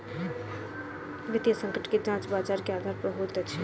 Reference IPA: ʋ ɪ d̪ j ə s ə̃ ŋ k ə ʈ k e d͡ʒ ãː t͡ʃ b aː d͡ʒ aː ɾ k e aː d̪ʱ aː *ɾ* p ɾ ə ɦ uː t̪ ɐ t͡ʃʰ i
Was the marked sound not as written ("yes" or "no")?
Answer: no